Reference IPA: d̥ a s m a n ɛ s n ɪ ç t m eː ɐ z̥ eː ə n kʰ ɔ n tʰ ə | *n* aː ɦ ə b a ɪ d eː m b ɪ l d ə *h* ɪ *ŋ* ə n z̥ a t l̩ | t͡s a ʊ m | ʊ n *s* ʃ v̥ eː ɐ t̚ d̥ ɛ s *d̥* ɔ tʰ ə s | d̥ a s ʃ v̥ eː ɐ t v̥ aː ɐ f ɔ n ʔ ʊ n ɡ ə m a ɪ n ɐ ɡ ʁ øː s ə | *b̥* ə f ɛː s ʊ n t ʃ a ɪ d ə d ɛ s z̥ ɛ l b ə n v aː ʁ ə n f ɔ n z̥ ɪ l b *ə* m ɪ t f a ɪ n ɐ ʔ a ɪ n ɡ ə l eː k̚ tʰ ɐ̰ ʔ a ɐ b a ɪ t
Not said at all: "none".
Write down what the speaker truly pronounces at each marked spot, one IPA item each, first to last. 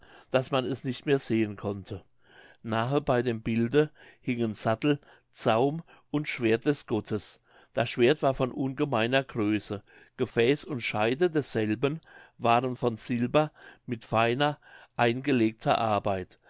n, h, ŋ, t, ɡ̥, ɡ̥, ɐ

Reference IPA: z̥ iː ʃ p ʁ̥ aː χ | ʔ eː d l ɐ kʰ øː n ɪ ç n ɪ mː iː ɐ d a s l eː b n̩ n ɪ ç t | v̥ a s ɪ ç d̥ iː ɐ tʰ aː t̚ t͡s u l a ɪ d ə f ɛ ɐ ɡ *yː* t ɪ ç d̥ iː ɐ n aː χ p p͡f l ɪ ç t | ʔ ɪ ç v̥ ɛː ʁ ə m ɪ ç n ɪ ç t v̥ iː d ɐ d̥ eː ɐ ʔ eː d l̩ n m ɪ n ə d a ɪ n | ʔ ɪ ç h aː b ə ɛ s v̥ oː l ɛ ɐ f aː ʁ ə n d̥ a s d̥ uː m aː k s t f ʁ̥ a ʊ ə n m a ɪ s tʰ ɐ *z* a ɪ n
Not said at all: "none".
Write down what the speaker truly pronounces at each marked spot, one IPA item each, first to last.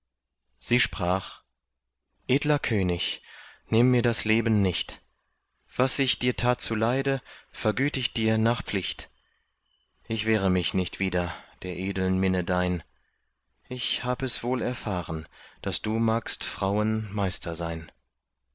yː, z

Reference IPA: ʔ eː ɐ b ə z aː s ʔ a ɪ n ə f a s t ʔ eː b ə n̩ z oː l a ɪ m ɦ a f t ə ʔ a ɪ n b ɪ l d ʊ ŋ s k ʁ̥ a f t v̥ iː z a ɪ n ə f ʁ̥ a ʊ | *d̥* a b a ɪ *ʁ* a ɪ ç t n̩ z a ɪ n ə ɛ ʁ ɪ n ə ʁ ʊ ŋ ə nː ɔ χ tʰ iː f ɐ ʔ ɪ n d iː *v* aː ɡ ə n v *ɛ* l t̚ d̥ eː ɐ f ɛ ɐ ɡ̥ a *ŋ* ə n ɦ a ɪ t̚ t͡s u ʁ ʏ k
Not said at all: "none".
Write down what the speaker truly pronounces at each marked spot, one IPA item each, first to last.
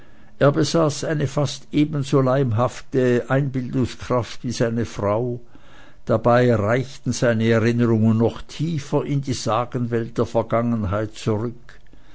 d̥, ʁ, z, ɛ, ŋ

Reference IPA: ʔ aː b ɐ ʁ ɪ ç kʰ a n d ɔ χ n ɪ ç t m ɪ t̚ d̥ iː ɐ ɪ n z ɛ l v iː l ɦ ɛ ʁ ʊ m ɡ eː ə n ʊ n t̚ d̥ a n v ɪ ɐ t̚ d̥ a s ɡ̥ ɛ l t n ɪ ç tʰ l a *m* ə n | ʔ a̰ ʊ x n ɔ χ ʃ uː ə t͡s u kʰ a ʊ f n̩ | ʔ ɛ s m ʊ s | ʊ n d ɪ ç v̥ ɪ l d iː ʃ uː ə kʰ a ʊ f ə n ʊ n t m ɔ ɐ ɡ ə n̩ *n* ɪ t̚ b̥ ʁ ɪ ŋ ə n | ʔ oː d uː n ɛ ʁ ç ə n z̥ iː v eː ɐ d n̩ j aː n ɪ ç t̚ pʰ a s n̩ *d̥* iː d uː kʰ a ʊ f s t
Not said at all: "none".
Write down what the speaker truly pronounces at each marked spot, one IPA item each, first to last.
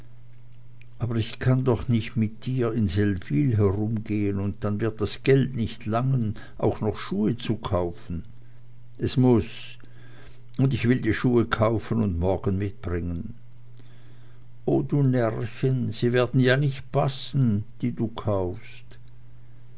ŋ, m, d̥

